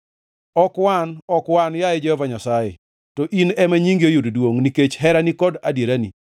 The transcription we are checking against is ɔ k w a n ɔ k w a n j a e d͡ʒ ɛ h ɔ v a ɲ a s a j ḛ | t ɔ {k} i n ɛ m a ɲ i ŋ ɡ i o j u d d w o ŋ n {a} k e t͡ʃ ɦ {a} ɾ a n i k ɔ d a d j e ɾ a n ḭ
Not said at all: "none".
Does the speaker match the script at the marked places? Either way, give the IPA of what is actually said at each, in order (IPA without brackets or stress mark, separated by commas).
ʔ, i, ɛ